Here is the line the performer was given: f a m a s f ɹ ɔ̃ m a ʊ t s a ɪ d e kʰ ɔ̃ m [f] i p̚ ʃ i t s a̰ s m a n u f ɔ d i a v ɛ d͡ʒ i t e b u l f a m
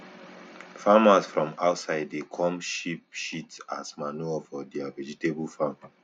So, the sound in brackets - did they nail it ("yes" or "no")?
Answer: no